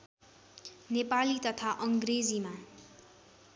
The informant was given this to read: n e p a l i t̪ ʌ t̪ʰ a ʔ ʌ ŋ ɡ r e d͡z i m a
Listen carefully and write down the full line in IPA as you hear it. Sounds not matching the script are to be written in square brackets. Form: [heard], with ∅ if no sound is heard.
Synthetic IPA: n e p a l i t̪ ʌ t̪ʰ a ʔ ʌ ŋ ɡ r e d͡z i m a